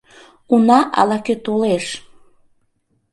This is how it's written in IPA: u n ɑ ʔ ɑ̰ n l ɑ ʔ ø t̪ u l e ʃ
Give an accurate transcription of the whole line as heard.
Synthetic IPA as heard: u n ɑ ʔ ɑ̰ l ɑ k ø t̪ o l e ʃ